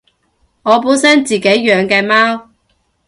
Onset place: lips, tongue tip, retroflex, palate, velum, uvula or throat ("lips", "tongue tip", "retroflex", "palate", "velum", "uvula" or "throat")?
velum